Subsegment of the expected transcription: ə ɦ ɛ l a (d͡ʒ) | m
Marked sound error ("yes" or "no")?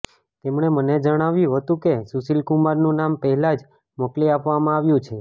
no